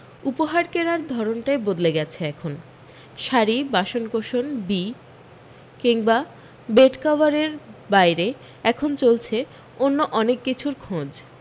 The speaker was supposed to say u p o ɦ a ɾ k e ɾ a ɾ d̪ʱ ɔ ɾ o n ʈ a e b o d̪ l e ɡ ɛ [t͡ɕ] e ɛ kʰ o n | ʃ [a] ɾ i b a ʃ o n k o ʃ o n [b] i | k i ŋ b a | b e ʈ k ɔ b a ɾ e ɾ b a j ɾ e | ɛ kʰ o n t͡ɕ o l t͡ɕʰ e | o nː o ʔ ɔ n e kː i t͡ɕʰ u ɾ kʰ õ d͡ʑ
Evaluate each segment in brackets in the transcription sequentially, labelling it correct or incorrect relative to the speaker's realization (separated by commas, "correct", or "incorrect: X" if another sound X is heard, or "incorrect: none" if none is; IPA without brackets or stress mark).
incorrect: t͡ɕʰ, correct, correct